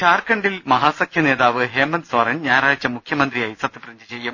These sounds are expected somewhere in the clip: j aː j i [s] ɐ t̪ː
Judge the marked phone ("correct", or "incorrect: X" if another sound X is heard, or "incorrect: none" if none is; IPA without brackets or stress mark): correct